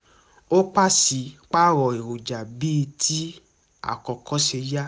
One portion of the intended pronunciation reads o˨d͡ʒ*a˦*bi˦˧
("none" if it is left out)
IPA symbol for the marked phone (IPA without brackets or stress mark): a˨